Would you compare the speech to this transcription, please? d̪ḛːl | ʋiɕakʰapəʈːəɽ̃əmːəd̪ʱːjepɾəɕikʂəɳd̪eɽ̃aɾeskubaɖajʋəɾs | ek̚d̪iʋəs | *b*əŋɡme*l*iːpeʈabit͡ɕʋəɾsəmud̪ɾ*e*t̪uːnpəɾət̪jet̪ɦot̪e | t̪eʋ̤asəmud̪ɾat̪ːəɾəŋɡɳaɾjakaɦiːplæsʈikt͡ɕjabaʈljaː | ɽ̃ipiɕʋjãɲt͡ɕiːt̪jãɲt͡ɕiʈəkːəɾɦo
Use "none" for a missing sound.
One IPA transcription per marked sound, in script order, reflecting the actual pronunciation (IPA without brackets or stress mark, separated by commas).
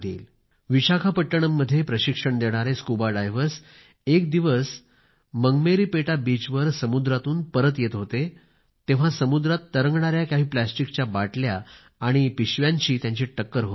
m, ɾ, a